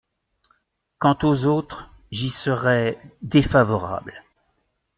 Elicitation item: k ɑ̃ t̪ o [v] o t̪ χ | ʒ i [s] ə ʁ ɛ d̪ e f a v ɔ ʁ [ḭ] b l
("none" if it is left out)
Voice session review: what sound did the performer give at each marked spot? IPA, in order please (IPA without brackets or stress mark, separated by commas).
z, s, a̰